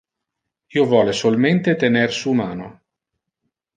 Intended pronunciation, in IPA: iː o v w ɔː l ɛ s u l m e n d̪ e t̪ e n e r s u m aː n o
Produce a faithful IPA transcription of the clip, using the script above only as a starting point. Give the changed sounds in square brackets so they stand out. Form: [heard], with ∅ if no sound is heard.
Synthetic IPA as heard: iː o v w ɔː l [e] s [o] l m e n [t̪] e t̪ e n e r s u m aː n o

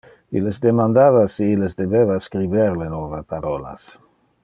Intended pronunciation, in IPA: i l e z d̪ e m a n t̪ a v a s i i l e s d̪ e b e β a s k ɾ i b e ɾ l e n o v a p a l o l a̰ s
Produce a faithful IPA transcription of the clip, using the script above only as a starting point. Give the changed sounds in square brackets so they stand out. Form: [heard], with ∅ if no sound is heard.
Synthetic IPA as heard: i l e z d̪ e m a n [d̪] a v a s i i l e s d̪ e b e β a s k ɾ i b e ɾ l e n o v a p a [ɾ] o l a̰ s

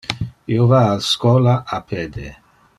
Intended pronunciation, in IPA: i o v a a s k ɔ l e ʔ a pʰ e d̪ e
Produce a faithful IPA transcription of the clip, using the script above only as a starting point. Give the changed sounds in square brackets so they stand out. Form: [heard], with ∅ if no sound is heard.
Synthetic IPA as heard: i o v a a s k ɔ l [a] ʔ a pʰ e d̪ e

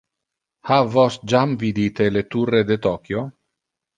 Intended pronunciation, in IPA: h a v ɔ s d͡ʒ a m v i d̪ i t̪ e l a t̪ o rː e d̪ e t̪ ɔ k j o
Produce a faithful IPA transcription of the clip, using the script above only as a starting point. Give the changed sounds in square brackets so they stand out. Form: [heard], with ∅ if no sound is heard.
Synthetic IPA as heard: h a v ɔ s d͡ʒ a m v i d̪ i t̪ e l [e] t̪ [u] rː e d̪ e t̪ ɔ k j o

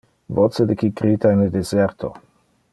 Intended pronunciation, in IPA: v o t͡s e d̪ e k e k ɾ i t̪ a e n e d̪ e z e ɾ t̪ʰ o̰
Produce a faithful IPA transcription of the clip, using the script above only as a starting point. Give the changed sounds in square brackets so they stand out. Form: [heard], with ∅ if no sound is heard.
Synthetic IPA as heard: v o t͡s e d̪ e k [i] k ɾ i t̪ a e n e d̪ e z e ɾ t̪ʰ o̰

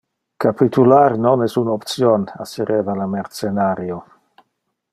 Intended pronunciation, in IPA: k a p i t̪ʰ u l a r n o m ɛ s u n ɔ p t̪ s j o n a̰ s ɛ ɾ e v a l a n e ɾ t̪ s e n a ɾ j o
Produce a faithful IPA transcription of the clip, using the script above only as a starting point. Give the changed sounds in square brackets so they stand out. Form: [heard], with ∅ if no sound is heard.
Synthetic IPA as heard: k a p i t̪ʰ u l a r n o [n] ɛ s u n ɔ p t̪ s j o n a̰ s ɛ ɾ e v a l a [m] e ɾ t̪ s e n a ɾ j o

